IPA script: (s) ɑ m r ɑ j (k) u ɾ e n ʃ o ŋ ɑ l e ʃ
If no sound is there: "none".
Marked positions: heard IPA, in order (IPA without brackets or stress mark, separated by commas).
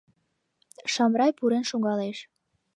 ʃ, p